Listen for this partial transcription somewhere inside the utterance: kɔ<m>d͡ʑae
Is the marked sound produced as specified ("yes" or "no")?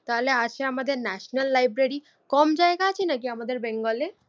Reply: yes